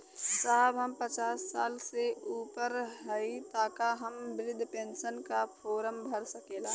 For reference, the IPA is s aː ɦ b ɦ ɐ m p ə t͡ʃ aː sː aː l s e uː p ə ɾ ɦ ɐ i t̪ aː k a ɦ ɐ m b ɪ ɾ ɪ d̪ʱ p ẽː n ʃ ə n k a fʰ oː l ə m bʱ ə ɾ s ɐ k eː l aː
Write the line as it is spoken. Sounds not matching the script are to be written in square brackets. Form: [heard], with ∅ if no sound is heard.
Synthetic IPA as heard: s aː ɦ b ɦ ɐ m p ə t͡ʃ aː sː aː l s e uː p ə ɾ ɦ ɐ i t̪ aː k a ɦ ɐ m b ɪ ɾ ɪ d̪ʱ p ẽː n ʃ ə n k a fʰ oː [ɾ] ə m bʱ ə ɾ s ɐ k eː l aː